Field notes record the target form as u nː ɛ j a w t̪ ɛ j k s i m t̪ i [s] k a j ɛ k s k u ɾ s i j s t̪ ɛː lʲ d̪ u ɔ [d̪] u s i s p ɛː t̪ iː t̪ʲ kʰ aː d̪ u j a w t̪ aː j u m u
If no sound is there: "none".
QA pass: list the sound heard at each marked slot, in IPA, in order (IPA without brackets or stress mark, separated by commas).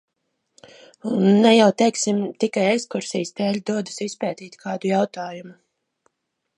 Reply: none, d̪